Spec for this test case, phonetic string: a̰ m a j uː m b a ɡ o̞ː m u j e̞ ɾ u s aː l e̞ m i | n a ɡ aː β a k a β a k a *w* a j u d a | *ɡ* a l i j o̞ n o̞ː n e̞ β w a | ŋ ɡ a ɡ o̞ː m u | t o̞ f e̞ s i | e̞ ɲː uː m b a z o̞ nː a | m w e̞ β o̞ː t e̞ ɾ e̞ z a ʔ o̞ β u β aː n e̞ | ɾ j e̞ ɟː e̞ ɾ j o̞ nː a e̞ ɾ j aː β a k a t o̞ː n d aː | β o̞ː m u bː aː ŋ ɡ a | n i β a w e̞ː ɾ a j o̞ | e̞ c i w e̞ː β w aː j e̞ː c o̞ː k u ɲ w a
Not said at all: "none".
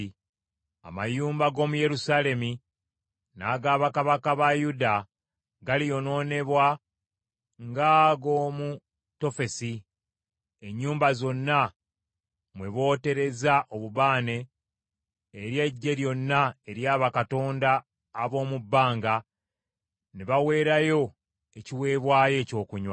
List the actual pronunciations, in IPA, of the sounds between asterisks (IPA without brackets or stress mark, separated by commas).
β, ɡ